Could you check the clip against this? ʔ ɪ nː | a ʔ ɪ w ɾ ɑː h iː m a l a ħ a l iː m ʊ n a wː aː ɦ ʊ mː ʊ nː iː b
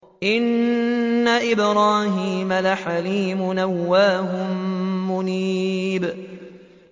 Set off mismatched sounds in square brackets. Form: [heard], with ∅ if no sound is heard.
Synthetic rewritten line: ʔ ɪ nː | a ʔ ɪ [b] ɾ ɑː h iː m a l a ħ a l iː m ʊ n a wː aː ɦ ʊ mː ʊ [n] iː b